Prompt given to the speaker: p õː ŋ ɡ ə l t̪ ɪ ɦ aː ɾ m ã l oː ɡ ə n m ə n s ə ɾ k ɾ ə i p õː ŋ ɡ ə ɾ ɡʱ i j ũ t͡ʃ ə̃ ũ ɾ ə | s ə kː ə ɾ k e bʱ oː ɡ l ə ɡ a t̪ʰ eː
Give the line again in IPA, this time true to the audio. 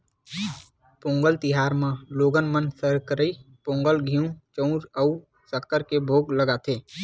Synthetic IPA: p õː ŋ ɡ ə l t̪ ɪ ɦ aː ɾ m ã l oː ɡ ə n m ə n s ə ɾ k ɾ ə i p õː ŋ ɡ ə l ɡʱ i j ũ t͡ʃ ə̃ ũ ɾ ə | s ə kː ə ɾ k e bʱ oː ɡ l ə ɡ a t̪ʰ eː

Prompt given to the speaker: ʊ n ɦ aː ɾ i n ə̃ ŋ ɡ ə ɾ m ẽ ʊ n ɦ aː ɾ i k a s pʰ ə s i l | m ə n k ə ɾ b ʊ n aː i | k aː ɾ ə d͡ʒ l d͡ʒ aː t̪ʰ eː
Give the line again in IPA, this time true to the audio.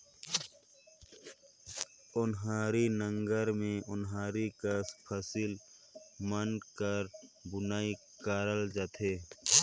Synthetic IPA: ʊ n ɦ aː ɾ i n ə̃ ŋ ɡ ə ɾ m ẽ ʊ n ɦ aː ɾ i k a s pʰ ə s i l | m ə n k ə ɾ b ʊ n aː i | k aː ɾ ə l d͡ʒ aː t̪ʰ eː

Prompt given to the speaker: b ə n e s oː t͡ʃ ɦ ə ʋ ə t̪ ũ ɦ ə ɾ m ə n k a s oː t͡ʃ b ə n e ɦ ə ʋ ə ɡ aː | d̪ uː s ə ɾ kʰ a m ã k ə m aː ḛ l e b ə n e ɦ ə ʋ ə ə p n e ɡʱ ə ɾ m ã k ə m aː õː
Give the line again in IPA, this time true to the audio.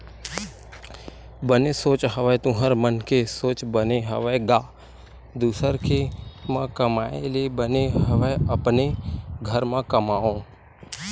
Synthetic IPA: b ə n e s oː t͡ʃ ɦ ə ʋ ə t̪ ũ ɦ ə ɾ m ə n k e s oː t͡ʃ b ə n e ɦ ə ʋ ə ɡ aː | d̪ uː s ə ɾ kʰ e m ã k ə m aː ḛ l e b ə n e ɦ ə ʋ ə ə p n e ɡʱ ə ɾ m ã k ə m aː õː

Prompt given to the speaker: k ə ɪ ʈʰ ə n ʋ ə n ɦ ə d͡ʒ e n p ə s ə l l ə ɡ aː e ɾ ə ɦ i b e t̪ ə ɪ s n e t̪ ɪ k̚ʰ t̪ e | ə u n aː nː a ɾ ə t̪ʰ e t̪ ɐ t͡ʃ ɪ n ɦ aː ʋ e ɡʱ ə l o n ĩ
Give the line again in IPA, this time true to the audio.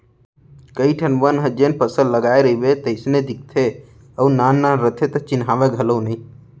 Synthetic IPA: k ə i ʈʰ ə n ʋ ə n ɦ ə d͡ʒ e n p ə s ə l l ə ɡ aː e ɾ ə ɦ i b e t̪ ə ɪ s n e d̪ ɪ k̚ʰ t̪ʰ e | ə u n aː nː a ɾ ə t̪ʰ e t̪ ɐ t͡ʃ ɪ n ɦ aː ʋ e ɡʱ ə l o n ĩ

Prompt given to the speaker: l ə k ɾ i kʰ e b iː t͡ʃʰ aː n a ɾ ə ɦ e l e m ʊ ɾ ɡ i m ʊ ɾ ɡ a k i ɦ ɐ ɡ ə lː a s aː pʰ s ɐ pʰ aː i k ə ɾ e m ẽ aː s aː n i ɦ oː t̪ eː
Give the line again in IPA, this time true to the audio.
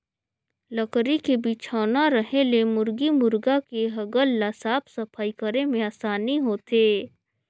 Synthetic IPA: l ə k ɾ i k e b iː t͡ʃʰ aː n a ɾ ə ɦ e l e m ʊ ɾ ɡ i m ʊ ɾ ɡ a k e ɦ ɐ ɡ ə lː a s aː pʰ s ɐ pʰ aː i k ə ɾ e m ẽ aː s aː n i ɦ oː t̪ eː

